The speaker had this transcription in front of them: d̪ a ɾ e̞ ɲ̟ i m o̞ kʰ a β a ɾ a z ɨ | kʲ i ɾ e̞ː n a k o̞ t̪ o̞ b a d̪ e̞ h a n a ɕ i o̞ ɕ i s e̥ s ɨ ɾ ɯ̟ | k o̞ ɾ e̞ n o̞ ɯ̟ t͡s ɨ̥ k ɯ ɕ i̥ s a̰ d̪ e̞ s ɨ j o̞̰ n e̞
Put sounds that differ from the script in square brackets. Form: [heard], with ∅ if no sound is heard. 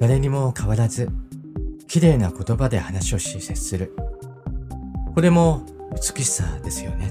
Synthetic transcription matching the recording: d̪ a ɾ e̞ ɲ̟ i m o̞ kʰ a β a ɾ a z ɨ | kʲ i ɾ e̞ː n a k o̞ t̪ o̞ b a d̪ e̞ h a n a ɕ i o̞ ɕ i s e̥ s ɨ ɾ ɯ̟ | k o̞ ɾ e̞ [m] o̞ ɯ̟ t͡s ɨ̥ k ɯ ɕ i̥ s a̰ d̪ e̞ s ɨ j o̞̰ n e̞